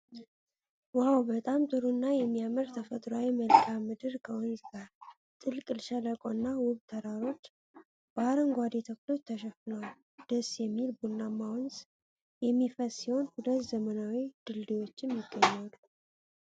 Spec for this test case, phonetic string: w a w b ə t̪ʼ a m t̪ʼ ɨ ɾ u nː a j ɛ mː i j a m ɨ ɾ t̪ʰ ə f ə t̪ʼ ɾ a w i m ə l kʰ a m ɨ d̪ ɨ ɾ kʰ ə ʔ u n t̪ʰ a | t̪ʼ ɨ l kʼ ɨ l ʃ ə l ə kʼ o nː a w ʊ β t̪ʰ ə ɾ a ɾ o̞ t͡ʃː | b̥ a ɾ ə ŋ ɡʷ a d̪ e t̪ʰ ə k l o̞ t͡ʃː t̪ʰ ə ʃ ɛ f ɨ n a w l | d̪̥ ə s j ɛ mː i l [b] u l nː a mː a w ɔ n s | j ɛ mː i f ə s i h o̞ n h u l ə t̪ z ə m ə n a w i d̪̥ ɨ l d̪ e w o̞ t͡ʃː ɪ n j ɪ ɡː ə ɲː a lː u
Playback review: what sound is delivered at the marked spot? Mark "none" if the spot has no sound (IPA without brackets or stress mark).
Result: b